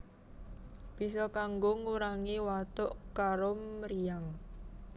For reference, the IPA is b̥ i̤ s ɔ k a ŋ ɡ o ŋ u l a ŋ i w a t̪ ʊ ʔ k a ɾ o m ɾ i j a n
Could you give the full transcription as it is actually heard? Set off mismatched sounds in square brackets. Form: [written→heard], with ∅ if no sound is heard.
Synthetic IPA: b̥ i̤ s ɔ k a ŋ ɡ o ŋ u [l→ɾ] a ŋ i w a t̪ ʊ ʔ k a ɾ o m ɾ i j a [n→ŋ]